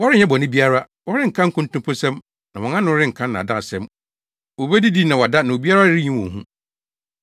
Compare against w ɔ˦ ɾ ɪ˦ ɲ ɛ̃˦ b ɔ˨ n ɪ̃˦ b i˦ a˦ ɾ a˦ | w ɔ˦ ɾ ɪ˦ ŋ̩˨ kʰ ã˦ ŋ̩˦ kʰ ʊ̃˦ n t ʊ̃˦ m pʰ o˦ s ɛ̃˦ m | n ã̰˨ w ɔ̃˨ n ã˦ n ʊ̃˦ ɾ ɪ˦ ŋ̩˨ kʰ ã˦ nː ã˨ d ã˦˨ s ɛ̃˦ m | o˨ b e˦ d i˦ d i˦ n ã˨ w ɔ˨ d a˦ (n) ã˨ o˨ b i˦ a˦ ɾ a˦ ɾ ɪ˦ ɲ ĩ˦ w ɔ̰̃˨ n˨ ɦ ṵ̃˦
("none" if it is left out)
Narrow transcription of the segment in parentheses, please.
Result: n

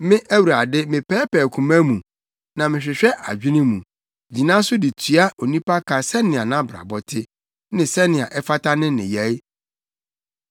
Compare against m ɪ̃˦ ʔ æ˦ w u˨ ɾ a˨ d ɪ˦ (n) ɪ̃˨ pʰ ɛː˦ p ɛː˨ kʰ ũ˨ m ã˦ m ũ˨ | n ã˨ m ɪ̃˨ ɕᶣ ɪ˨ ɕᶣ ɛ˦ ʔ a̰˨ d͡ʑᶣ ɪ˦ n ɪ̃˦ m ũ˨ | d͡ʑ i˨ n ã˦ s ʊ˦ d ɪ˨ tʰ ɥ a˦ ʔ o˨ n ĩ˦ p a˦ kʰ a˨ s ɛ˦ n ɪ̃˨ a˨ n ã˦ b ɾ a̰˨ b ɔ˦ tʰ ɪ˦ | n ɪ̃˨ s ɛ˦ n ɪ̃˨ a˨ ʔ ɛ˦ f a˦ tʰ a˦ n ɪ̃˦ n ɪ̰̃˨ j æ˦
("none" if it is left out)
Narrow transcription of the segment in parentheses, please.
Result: m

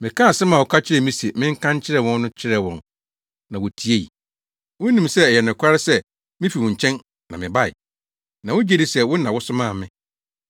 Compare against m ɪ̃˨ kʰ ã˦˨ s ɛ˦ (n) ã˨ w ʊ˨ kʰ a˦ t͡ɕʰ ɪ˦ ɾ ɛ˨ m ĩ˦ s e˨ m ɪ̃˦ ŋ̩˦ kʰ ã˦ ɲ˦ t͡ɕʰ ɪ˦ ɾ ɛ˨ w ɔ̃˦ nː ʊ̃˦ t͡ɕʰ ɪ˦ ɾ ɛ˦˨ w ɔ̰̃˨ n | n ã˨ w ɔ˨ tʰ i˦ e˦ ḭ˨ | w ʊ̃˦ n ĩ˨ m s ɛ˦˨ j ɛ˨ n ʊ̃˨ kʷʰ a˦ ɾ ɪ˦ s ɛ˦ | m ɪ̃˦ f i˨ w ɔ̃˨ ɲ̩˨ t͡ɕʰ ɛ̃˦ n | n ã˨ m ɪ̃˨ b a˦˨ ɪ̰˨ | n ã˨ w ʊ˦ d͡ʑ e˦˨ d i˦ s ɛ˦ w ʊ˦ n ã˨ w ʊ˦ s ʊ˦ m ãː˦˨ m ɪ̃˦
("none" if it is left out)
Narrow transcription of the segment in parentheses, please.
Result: m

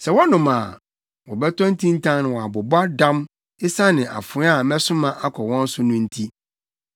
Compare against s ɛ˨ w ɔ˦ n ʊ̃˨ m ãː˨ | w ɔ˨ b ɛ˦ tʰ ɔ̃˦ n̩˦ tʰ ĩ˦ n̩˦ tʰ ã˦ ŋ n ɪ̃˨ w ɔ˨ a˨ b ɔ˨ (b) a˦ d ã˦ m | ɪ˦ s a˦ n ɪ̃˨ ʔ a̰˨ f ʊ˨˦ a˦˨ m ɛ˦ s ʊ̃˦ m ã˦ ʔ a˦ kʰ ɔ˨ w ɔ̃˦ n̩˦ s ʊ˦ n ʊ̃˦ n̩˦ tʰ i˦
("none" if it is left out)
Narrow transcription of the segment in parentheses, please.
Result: b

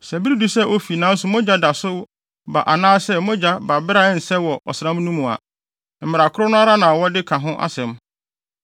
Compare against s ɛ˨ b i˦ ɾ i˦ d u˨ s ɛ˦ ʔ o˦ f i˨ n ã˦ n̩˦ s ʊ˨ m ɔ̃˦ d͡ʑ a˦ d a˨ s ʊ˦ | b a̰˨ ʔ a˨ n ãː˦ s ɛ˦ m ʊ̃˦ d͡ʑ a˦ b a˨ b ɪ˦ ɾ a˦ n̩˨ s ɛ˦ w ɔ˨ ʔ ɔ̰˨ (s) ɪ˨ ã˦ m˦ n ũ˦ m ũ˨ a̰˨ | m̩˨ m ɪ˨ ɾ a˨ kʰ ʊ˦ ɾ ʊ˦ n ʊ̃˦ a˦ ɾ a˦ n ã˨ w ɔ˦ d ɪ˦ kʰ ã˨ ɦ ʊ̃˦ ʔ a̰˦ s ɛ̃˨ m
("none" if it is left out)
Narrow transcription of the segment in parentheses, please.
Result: s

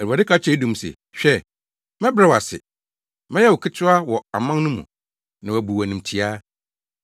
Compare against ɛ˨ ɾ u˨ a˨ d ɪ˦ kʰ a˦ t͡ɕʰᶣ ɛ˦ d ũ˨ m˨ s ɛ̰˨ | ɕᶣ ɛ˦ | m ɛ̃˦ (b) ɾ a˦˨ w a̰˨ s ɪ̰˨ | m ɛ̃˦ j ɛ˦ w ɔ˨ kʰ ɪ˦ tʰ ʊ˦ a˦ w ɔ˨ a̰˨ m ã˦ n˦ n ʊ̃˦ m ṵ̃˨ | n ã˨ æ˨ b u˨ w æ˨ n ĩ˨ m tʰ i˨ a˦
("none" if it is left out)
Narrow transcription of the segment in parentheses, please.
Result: b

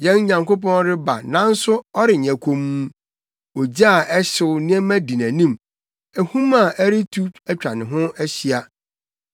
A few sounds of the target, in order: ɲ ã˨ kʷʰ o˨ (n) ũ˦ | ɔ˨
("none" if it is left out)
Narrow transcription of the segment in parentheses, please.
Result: m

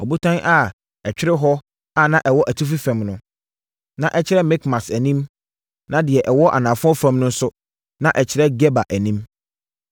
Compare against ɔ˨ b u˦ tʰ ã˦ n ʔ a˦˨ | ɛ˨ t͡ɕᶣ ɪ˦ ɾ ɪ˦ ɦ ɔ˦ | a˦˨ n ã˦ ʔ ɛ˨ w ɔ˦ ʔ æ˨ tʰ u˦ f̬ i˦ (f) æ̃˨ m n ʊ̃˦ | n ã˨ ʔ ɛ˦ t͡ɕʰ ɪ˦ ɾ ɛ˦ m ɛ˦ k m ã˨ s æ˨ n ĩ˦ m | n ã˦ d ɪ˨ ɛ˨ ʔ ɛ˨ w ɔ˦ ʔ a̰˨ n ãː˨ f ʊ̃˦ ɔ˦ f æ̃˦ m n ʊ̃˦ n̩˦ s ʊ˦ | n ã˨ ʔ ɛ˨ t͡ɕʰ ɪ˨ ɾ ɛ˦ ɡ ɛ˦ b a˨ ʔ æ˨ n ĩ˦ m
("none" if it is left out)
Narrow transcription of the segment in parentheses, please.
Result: f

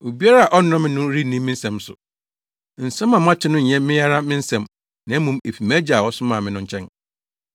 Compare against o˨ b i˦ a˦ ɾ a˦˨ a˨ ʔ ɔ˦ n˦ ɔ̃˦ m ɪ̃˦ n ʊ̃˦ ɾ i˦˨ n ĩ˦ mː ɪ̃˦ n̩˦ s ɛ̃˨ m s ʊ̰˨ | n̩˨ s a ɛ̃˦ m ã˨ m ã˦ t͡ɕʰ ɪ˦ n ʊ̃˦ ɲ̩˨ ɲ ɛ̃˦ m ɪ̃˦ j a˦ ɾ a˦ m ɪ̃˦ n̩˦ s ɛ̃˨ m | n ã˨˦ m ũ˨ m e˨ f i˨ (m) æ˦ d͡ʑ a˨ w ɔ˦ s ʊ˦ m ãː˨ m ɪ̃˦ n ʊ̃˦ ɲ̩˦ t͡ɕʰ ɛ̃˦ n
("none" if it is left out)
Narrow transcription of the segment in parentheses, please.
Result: m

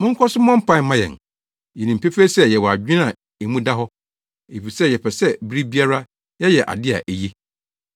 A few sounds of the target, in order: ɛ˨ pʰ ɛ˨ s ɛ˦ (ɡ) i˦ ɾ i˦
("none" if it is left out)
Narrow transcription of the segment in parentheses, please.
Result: b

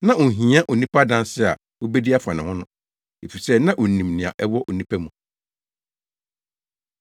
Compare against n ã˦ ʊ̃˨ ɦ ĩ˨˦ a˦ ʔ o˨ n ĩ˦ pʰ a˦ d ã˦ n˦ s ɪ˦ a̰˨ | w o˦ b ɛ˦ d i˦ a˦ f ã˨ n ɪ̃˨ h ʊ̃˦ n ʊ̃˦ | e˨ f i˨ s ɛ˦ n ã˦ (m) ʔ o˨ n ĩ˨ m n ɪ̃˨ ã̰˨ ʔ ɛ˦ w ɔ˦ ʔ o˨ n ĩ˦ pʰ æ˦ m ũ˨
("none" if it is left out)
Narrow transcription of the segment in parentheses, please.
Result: none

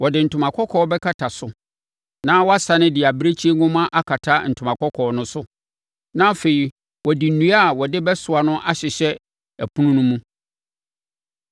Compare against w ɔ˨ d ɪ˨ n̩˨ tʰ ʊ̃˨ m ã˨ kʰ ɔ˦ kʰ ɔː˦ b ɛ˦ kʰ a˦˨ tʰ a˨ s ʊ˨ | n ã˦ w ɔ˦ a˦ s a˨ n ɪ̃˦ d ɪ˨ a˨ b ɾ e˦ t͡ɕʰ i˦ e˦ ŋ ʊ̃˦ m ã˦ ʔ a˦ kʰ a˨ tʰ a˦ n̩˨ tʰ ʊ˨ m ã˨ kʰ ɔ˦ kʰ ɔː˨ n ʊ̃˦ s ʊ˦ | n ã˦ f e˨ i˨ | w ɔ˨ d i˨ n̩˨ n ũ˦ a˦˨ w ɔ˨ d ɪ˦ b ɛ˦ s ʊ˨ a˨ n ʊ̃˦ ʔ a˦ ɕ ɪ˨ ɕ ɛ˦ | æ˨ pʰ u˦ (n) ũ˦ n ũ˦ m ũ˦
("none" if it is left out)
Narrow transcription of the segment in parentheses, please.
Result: n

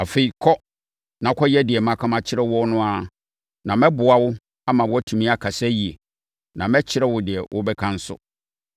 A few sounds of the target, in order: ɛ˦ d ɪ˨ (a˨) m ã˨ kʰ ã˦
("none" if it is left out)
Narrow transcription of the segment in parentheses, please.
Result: ɛ˨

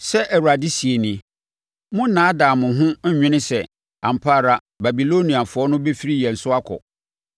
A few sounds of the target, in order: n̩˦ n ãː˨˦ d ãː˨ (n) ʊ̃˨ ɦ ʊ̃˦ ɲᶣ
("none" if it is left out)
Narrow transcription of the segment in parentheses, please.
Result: m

